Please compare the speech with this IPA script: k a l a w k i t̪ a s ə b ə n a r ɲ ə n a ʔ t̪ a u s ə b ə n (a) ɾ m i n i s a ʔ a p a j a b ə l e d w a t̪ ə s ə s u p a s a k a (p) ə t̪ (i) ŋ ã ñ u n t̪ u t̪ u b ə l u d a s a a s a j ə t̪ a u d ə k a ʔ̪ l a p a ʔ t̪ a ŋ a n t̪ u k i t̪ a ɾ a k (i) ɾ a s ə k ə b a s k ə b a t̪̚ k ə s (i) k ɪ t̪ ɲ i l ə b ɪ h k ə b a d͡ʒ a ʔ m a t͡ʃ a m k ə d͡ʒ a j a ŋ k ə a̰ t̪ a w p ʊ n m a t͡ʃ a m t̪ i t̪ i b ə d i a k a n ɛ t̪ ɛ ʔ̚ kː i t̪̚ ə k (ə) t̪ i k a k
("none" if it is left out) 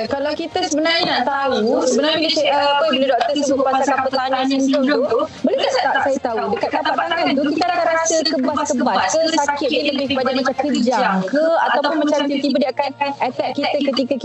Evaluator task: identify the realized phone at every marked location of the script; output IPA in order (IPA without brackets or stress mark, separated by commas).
a, p, a, a, a, ə